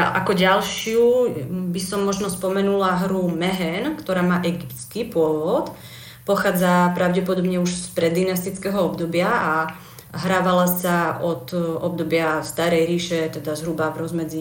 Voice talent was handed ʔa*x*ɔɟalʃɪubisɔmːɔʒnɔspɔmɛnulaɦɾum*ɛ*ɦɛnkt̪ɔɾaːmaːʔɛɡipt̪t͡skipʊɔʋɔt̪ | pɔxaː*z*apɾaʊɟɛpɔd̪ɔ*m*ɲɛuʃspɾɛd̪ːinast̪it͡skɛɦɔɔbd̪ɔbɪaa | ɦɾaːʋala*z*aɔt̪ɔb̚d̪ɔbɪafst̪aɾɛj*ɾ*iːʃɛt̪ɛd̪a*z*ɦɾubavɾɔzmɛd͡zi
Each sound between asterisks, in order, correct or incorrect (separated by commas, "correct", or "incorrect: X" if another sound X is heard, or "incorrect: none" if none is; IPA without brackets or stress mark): incorrect: k, correct, incorrect: d͡z, incorrect: b, incorrect: s, correct, correct